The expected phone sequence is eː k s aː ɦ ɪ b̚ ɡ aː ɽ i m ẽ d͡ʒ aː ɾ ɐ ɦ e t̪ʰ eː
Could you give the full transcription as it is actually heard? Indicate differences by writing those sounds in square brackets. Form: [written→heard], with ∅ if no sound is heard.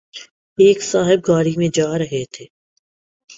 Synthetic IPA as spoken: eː k s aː ɦ ɪ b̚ ɡ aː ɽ i m ẽ d͡ʒ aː ɾ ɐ ɦ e t̪ʰ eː